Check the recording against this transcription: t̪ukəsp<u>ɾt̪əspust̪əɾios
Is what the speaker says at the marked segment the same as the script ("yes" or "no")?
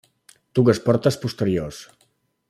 no